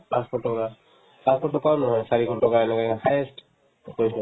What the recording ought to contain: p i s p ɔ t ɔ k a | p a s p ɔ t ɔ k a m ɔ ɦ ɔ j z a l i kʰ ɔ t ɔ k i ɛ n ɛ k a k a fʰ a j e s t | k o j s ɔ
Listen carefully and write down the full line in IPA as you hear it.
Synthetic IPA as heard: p a s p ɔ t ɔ k a | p a s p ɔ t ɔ k a n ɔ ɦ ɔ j s a ɹ i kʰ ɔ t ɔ k a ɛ n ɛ k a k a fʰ a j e s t | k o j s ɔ